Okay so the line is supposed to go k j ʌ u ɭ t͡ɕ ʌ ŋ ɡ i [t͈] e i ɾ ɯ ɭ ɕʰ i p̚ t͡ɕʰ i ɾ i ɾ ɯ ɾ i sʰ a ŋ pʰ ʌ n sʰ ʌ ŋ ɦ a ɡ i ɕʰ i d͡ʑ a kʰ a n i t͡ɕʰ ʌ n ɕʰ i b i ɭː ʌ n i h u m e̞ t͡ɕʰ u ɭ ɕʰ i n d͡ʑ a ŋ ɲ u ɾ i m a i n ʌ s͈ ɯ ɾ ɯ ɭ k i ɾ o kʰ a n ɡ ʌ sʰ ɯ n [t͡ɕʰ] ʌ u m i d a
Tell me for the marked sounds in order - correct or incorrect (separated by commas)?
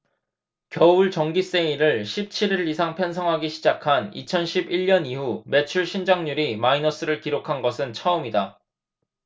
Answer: incorrect, correct